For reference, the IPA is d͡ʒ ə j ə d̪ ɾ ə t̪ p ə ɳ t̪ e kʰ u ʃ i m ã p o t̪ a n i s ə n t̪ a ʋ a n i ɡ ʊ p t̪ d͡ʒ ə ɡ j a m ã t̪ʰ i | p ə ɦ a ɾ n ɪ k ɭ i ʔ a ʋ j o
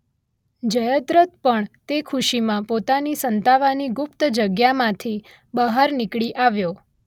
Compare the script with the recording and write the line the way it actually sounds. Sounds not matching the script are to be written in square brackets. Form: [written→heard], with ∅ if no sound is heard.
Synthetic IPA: d͡ʒ ə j ə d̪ ɾ ə t̪ p ə ɳ t̪ e kʰ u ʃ i m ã p o t̪ a n i s ə n t̪ a ʋ a n i ɡ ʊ p t̪ d͡ʒ ə ɡ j a m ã t̪ʰ i | [p→b] ə ɦ a ɾ n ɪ k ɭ i ʔ a ʋ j o